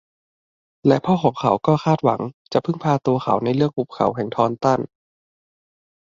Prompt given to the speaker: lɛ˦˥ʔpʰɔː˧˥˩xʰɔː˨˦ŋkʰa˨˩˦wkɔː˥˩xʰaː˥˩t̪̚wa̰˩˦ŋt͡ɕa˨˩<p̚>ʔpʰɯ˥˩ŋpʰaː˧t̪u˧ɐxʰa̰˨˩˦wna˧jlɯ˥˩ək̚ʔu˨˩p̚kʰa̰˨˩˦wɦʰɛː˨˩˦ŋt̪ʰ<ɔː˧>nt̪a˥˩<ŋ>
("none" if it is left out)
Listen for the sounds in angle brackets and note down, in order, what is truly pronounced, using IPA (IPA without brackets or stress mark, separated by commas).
none, ɔː˧, n